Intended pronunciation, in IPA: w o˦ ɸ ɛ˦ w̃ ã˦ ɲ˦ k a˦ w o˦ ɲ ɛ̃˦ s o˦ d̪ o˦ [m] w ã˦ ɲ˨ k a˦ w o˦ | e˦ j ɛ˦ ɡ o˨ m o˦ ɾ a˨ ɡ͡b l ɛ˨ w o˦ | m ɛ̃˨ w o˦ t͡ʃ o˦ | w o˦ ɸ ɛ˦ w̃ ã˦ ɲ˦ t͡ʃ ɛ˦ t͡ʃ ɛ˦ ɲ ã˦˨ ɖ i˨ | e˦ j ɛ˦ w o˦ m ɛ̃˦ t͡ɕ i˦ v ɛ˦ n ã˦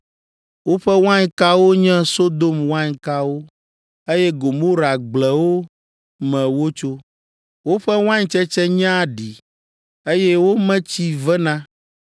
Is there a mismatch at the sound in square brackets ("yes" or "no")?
no